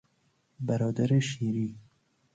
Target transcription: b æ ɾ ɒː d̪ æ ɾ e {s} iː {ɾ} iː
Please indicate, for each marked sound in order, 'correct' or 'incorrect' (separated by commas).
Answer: incorrect, correct